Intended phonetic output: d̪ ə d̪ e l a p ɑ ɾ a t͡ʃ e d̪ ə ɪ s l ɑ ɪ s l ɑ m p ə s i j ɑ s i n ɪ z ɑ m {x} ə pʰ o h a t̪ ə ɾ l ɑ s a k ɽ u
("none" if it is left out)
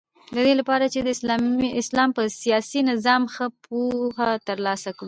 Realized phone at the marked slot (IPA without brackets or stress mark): x